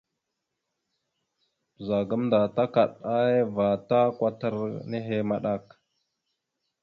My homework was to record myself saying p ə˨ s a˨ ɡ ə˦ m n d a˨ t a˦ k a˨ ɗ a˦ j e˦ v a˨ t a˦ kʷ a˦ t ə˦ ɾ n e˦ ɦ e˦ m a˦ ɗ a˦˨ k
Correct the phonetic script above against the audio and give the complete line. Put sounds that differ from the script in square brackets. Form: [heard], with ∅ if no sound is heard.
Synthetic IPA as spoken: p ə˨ [z] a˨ ɡ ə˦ m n d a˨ t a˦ k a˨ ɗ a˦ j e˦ v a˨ t a˦ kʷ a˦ t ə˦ ɾ n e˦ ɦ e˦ m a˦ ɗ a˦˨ k